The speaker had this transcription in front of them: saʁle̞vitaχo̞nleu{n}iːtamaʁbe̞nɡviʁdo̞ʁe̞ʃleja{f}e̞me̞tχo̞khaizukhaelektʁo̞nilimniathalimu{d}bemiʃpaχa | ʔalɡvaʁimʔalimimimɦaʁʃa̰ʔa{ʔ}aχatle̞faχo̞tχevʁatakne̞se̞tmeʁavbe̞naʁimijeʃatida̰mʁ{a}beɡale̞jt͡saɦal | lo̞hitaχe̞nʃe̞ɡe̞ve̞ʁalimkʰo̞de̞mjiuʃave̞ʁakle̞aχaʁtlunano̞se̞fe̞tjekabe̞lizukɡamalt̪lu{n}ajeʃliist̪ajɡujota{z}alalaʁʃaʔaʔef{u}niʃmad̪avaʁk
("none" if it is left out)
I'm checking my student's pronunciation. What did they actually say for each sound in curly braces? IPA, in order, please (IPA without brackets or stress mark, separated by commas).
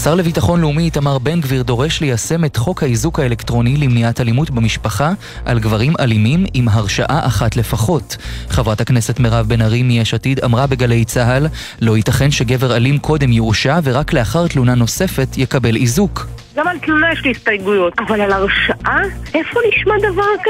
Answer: m, s, t, ʔ, a, n, v, o